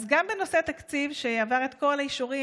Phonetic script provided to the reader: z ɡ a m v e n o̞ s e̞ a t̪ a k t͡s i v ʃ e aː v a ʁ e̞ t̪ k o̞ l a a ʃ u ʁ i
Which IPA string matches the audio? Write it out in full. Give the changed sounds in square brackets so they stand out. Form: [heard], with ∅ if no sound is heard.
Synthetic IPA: z ɡ a m [b] e n o̞ s e̞ a t̪ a k t͡s i v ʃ e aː v a ʁ e̞ t̪ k o̞ l a [i] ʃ u ʁ i